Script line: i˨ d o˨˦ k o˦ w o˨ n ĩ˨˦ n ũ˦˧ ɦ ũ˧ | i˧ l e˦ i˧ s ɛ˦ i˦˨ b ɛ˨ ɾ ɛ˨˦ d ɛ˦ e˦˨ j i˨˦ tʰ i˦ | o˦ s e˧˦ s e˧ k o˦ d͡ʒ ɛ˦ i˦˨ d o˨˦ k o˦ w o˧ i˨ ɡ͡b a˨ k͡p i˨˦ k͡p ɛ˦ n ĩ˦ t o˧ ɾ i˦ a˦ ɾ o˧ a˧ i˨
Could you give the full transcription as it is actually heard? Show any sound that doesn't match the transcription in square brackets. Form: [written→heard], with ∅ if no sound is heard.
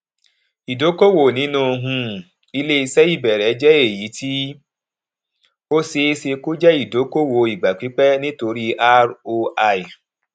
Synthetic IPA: i˨ d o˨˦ k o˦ w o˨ n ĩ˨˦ n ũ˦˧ ɦ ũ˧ | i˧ l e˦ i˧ s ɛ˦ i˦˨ b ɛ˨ ɾ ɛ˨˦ [d→d͡ʒ] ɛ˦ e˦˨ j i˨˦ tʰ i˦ | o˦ s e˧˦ s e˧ k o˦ d͡ʒ ɛ˦ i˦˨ d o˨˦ k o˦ w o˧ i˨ ɡ͡b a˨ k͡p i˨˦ k͡p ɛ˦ n ĩ˦ t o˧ ɾ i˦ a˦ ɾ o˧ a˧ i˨